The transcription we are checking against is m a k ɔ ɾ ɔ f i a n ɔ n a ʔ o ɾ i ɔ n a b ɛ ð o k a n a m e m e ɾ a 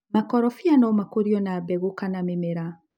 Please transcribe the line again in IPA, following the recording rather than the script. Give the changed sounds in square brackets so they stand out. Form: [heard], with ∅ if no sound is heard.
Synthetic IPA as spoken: m a k ɔ ɾ ɔ f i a n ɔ [m] a [k] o ɾ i ɔ n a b ɛ [ɣ] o k a n a m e m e ɾ a

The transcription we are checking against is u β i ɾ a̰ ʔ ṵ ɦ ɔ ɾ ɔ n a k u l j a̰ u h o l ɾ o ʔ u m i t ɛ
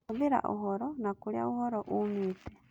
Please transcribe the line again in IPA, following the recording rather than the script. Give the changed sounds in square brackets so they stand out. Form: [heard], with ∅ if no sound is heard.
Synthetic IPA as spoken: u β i ɾ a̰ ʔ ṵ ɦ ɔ ɾ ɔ n a k u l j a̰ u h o [∅] ɾ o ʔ u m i t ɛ

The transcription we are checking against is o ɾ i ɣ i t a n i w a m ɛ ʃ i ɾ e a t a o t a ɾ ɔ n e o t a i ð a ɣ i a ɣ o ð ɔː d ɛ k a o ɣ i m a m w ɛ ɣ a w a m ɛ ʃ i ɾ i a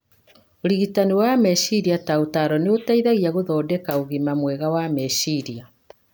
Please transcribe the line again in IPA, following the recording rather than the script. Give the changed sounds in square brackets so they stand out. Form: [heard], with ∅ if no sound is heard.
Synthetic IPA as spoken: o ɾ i ɣ i t a n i w a m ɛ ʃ i ɾ [i] a t a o t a ɾ ɔ n e o t a i ð a ɣ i a ɣ o ð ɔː d ɛ k a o ɣ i m a m w ɛ ɣ a w a m ɛ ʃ i ɾ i a

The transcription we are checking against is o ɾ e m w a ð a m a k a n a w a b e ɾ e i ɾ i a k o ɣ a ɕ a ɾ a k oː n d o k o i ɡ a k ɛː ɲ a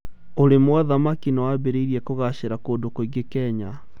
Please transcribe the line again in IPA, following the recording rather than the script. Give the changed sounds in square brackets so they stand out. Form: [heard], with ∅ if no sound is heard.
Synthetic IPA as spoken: o ɾ e m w a ð a m a k [i] n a w a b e ɾ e i ɾ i [ɛ] k o ɣ a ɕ [e] ɾ a k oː n d o k o i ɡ [e] k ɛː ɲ a

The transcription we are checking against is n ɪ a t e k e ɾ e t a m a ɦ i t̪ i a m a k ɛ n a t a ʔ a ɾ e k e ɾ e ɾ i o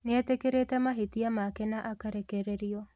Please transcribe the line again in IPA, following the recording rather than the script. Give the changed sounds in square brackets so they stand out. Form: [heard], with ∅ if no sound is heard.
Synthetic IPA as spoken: n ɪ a t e k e ɾ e t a m a ɦ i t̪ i a m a k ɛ n a [ʔ] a [k] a ɾ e k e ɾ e ɾ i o

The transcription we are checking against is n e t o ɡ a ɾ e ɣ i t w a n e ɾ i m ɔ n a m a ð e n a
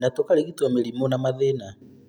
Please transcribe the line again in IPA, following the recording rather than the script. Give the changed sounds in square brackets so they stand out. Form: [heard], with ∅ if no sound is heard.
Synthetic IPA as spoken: n [a] t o [k] a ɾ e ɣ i t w a [m] e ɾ i m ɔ n a m a ð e n a

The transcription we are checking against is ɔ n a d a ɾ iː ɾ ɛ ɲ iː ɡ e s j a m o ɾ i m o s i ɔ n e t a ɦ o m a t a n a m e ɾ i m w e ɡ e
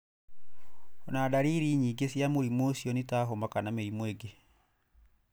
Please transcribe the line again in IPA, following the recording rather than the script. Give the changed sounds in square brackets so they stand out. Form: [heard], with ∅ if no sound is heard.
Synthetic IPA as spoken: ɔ n a d a ɾ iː ɾ [i] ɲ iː ɡ e s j a m o ɾ i m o s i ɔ n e t a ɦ o m a [k] a n a m e ɾ i m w e ɡ e

